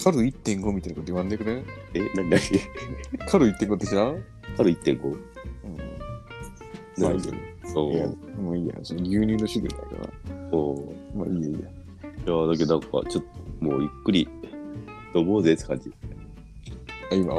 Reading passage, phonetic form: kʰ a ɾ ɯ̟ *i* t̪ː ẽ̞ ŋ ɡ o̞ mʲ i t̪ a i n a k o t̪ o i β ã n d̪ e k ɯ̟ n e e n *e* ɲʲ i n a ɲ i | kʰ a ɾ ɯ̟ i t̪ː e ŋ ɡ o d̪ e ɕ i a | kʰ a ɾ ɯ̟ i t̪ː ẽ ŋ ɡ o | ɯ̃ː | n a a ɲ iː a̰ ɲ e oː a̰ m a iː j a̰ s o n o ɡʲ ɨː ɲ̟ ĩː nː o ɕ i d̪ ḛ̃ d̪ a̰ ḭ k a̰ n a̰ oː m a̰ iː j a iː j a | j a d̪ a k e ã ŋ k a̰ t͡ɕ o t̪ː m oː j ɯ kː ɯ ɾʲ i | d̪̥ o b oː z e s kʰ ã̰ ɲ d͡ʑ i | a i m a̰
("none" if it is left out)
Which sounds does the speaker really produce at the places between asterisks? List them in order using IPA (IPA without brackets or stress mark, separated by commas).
i, a